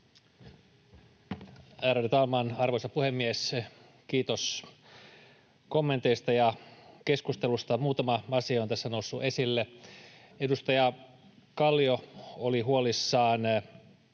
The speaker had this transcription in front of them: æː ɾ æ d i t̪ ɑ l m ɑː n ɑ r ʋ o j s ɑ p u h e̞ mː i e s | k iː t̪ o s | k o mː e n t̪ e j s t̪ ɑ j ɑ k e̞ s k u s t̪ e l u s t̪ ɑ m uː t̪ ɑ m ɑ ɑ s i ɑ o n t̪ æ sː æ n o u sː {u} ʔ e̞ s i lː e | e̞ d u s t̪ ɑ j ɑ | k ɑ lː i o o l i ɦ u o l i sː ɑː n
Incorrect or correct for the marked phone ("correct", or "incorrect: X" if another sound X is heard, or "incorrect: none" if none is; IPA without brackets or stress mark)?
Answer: correct